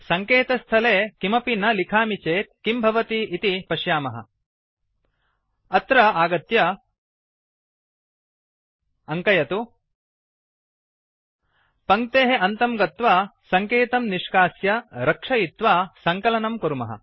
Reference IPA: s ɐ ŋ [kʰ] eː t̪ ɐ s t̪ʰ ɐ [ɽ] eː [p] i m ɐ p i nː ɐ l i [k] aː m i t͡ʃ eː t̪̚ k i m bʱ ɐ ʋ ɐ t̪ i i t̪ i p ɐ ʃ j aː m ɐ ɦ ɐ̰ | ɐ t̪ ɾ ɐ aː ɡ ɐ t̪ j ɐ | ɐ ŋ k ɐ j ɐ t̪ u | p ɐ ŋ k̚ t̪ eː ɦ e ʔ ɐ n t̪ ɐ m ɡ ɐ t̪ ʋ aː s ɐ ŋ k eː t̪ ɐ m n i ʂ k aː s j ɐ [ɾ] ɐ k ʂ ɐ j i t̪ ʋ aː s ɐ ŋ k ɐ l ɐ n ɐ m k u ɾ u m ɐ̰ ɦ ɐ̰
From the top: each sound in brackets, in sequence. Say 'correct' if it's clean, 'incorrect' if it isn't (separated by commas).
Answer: incorrect, incorrect, incorrect, incorrect, correct